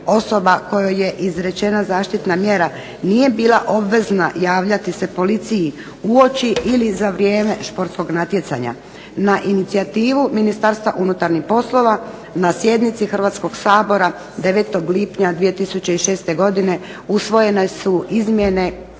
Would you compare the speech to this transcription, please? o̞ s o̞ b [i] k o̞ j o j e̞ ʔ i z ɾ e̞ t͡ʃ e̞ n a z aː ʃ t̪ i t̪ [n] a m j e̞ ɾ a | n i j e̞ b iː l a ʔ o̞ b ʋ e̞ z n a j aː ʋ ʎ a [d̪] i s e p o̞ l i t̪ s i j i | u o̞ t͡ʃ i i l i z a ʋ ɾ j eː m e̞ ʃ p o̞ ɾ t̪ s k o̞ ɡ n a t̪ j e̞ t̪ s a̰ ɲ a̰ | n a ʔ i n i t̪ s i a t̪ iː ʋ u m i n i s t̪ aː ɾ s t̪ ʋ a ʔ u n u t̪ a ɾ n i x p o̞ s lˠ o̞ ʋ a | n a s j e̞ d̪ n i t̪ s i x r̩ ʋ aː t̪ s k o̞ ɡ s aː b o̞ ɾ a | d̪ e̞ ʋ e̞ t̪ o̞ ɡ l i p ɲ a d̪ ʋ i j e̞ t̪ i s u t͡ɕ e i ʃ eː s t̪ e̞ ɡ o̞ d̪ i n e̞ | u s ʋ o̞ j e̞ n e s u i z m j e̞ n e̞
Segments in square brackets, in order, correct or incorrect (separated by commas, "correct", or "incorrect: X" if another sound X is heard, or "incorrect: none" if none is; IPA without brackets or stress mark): incorrect: a, correct, incorrect: t̪